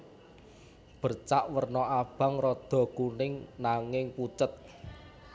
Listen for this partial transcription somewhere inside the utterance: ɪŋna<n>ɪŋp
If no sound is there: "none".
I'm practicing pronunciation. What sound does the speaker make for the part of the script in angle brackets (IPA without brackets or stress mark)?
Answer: ŋ